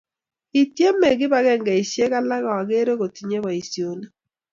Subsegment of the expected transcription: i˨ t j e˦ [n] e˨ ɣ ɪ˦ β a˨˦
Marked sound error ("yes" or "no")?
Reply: yes